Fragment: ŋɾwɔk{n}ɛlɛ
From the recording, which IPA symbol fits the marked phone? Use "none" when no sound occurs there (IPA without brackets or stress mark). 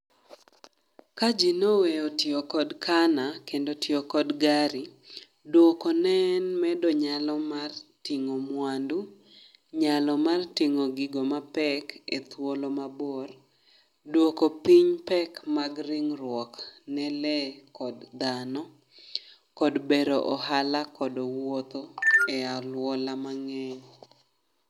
n